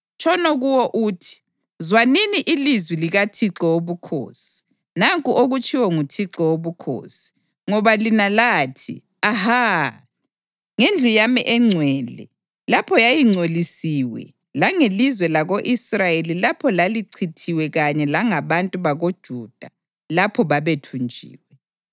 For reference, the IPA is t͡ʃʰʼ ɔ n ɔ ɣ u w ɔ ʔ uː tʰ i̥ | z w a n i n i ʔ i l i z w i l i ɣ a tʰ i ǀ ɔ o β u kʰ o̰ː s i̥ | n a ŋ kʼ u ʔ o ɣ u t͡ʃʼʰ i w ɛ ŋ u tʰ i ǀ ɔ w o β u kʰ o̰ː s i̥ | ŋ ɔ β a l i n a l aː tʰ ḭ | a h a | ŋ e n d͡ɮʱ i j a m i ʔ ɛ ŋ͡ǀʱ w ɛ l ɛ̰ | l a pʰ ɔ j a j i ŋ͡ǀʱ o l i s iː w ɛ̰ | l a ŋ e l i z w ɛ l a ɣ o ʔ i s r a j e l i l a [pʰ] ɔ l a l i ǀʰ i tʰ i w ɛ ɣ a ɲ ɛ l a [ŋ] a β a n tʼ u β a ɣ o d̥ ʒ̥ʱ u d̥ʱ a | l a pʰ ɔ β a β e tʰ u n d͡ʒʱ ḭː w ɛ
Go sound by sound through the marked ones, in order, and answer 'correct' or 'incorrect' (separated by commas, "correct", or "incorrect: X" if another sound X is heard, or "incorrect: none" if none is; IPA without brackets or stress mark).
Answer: correct, correct